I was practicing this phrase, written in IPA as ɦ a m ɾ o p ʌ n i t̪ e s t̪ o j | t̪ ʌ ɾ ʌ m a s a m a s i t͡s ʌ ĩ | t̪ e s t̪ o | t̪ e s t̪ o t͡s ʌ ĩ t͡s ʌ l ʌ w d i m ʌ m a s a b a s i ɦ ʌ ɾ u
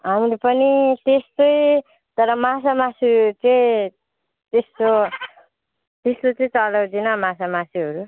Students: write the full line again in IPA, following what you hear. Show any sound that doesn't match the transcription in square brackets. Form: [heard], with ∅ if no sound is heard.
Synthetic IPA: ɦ a m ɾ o p ʌ n i t̪ e s t̪ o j | t̪ ʌ ɾ ʌ m a s a m a s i t͡s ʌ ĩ | t̪ e s t̪ o | t̪ e s t̪ o t͡s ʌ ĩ t͡s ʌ l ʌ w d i [n] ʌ m a s a [m] a s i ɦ ʌ ɾ u